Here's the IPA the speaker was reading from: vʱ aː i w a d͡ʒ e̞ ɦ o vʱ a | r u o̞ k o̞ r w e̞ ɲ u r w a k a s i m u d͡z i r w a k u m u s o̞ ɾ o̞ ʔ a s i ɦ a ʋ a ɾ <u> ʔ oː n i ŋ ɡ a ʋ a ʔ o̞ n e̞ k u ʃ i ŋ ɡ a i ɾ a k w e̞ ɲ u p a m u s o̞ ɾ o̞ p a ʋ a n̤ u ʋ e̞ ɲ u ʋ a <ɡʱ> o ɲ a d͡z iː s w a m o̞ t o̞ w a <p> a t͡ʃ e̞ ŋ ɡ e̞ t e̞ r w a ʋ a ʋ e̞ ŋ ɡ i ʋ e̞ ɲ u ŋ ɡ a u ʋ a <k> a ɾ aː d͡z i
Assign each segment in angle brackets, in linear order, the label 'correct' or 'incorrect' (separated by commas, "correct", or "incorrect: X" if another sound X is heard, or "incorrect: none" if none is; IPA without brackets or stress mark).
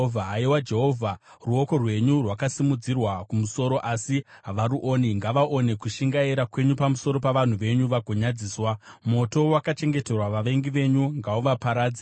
correct, correct, incorrect: k, incorrect: p